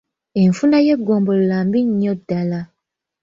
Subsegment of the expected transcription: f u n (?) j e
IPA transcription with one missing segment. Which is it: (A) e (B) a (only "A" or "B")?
B